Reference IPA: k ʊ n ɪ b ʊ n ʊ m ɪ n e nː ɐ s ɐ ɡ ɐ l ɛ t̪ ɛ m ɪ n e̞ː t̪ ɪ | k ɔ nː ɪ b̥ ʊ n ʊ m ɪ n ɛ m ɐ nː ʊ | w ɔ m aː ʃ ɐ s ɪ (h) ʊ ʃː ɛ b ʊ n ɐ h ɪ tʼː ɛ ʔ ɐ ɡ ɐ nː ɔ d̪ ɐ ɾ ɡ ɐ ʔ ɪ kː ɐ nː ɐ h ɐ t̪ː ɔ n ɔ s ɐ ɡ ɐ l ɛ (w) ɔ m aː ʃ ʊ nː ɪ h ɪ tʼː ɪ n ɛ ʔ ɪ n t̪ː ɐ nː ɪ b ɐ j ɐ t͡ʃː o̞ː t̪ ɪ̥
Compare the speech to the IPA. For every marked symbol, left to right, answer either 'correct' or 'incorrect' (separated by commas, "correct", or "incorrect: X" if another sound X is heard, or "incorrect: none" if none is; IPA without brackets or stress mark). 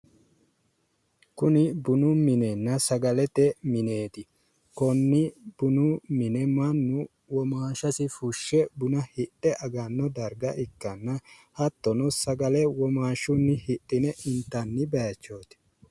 incorrect: f, correct